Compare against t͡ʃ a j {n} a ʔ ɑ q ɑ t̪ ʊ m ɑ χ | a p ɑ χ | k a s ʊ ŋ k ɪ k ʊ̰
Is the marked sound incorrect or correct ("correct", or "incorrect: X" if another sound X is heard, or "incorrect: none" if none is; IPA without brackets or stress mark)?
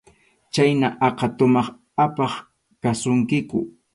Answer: correct